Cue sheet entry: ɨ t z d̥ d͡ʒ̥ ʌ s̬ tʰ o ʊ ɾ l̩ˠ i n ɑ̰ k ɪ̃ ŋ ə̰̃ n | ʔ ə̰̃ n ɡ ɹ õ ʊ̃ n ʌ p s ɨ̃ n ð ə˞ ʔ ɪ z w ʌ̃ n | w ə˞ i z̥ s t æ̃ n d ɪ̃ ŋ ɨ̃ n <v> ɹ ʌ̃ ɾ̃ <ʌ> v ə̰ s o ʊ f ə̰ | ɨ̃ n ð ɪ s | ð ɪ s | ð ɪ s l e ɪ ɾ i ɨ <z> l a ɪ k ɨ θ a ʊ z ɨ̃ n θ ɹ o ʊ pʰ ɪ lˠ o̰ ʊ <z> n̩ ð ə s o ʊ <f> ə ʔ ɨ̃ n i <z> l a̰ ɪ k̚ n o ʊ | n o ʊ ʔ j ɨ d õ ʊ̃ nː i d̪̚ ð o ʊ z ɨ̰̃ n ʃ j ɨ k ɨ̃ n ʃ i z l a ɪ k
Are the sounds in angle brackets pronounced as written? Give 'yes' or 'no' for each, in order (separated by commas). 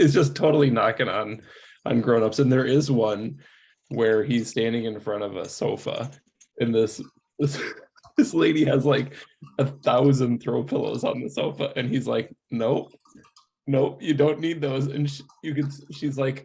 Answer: no, yes, yes, yes, yes, yes